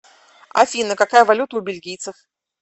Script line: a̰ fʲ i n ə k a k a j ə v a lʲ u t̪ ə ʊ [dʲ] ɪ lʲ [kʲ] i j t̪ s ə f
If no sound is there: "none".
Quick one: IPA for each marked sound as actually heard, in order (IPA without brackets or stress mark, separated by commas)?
bʲ, ɡʲ